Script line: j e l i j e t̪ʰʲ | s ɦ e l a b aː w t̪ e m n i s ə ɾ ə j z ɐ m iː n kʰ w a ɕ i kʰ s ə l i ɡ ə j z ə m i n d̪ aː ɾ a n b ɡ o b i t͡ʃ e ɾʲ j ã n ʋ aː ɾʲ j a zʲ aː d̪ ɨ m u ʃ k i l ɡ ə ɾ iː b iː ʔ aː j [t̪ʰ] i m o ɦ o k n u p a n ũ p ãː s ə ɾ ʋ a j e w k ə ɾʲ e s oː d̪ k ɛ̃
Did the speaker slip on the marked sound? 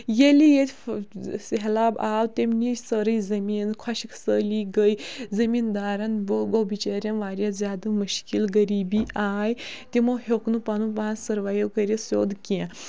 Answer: yes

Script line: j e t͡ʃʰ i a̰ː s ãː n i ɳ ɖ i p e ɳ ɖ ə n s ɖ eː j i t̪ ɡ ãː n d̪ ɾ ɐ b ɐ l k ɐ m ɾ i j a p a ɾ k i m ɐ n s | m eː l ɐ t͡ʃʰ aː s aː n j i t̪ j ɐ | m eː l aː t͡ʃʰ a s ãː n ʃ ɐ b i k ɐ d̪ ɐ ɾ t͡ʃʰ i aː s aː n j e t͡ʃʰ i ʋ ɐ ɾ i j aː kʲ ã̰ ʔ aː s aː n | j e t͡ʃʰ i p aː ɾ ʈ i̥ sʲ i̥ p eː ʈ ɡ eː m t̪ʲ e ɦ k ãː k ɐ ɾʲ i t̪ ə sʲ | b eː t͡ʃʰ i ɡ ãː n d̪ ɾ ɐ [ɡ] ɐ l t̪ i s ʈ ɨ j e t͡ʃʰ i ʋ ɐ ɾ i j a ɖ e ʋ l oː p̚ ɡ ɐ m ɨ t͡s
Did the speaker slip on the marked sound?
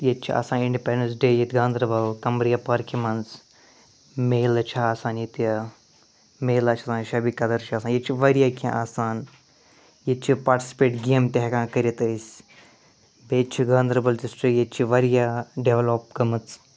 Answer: yes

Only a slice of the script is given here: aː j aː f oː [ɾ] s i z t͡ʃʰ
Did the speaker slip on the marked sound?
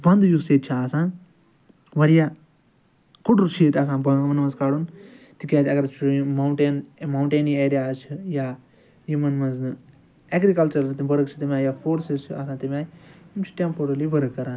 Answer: no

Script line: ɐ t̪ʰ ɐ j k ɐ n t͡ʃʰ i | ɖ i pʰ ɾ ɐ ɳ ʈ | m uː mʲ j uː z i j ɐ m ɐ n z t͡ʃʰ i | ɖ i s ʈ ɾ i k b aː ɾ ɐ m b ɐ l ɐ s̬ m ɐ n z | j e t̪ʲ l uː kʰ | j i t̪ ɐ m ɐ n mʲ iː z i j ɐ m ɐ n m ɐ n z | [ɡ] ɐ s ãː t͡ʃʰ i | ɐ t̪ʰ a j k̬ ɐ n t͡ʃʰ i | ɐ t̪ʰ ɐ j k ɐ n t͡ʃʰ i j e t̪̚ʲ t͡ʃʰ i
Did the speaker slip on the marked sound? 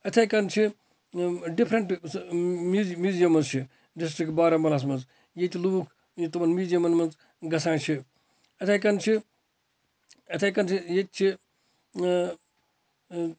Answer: no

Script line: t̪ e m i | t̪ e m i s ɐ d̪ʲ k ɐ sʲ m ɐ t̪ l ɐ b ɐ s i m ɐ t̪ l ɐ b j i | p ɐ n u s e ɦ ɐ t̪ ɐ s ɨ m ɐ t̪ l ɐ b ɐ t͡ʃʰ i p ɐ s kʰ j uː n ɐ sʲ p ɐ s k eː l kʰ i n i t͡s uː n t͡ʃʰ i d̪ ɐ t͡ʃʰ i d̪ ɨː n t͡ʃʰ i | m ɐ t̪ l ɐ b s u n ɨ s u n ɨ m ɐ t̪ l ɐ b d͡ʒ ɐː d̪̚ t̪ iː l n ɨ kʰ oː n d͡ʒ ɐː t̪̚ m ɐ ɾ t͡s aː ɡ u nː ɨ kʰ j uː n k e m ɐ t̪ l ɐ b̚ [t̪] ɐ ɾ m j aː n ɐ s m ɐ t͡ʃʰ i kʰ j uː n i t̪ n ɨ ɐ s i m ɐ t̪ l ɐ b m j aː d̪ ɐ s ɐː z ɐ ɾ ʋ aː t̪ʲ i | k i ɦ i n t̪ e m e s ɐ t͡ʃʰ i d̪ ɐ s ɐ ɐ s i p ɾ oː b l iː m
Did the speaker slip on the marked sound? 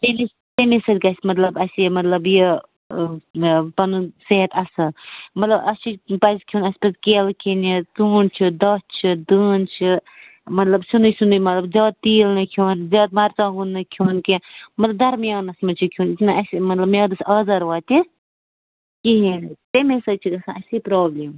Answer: yes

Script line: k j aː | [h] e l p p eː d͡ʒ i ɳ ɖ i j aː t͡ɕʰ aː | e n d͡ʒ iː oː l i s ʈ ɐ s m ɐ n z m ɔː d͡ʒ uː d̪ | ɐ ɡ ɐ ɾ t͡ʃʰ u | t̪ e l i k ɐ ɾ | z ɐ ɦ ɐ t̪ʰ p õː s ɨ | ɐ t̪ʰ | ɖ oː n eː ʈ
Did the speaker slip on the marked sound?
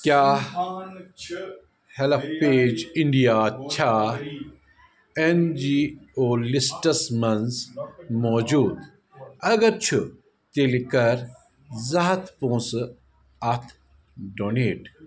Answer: no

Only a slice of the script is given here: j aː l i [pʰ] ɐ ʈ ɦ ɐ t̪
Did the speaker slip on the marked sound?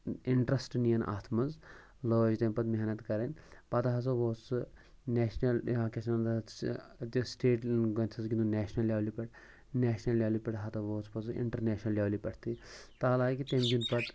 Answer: yes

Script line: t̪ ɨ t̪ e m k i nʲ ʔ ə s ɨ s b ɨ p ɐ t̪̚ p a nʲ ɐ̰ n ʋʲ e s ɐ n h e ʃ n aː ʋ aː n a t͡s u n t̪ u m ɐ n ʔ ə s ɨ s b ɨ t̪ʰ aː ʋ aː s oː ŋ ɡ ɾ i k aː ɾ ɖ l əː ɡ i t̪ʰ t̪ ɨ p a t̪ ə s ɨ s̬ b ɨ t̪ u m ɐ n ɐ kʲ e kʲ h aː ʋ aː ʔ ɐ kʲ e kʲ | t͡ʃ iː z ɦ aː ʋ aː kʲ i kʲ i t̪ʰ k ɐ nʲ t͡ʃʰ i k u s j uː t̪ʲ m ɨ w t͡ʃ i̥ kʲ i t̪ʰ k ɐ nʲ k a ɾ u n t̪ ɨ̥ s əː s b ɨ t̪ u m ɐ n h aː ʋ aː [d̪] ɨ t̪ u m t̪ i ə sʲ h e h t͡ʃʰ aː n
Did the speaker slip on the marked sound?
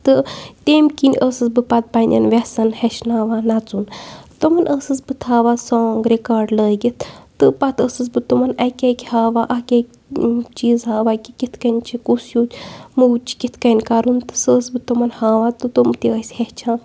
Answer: yes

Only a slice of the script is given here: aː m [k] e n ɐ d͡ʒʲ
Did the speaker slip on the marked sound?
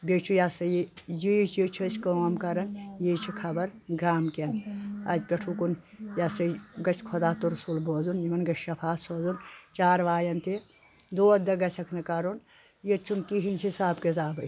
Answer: no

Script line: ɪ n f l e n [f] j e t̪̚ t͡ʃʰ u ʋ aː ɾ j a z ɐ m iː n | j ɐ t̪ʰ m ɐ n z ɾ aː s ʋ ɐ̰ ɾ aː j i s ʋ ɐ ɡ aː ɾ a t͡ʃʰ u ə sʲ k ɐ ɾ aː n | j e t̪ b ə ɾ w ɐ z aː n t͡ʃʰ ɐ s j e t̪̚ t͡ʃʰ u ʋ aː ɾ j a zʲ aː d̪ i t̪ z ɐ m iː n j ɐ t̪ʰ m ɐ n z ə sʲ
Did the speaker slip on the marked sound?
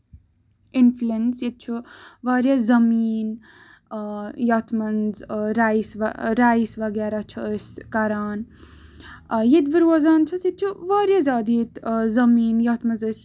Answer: yes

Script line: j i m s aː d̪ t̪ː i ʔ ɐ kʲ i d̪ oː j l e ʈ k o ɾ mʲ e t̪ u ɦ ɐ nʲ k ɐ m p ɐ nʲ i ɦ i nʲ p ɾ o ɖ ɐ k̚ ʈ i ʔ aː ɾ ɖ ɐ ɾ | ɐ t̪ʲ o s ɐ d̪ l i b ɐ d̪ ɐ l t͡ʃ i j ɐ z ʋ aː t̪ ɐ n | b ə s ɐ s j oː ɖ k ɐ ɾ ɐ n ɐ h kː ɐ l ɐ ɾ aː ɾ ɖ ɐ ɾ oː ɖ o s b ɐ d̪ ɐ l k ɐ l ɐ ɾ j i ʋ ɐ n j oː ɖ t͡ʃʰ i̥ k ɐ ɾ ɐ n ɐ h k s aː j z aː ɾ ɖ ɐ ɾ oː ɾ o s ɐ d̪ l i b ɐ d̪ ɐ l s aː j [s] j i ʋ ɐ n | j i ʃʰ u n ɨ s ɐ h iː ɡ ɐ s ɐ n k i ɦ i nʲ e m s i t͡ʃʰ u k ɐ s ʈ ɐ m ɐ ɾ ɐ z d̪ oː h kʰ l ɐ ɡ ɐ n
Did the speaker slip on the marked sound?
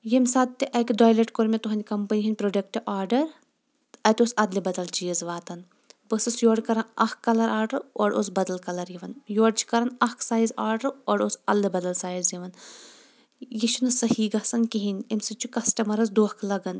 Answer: yes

